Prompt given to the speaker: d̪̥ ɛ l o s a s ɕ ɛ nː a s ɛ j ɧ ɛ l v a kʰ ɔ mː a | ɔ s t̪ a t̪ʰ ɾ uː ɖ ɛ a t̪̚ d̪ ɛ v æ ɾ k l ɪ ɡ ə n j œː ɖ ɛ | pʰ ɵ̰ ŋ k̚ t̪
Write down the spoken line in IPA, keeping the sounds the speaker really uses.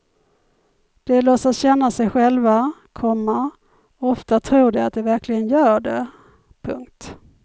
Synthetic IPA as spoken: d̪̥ ɛ l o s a s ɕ ɛ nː a s ɛ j ɧ ɛ l v a kʰ ɔ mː a | ɔ f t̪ a t̪ʰ ɾ uː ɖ ɛ a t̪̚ d̪ ɛ v æ ɾ k l ɪ ɡ ə n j œː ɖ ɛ | pʰ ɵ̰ ŋ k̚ t̪